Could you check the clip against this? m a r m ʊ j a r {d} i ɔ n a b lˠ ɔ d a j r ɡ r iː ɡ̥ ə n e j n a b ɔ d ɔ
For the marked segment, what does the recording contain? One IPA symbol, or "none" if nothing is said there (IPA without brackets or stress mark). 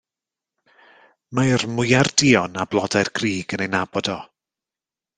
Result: d